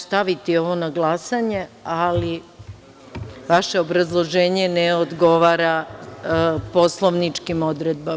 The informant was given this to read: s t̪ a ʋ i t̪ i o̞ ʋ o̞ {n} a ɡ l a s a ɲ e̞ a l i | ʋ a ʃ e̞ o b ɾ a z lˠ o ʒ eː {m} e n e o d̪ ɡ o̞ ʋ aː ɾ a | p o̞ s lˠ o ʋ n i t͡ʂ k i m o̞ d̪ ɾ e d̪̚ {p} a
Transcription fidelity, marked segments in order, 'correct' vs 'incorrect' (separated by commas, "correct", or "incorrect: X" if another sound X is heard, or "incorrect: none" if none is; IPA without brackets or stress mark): correct, incorrect: ɲ, incorrect: b